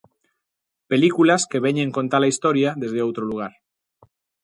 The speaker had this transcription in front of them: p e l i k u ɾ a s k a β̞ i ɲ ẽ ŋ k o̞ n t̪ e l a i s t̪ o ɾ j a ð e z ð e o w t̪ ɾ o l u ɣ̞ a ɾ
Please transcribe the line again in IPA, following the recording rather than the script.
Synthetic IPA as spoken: p e l i k u l a s k e β̞ e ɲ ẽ ŋ k o̞ n t̪ a l a i s t̪ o ɾ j a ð e z ð e o w t̪ ɾ o l u ɣ̞ a ɾ